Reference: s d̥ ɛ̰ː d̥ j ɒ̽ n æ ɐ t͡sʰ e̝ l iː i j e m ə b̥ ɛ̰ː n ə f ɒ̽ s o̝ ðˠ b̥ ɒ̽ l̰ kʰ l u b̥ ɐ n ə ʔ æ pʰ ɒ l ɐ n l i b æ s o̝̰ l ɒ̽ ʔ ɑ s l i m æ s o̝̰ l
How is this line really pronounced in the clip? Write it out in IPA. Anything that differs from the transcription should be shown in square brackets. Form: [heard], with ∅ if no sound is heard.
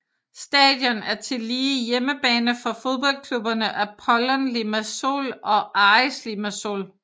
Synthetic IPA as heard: s d̥ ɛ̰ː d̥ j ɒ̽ n æ ɐ t͡sʰ e̝ l iː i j e m ə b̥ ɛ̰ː n ə f ɒ̽ [f] o̝ ðˠ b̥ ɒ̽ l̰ kʰ l u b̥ ɐ n ə ʔ æ pʰ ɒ l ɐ n l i [m] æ s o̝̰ l ɒ̽ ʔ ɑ s l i m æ s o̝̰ l